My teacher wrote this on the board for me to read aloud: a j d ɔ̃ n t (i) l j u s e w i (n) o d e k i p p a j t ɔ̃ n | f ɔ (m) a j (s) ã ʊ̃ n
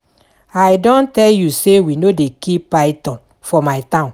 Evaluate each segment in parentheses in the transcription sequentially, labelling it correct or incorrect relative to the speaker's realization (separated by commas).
incorrect, correct, correct, incorrect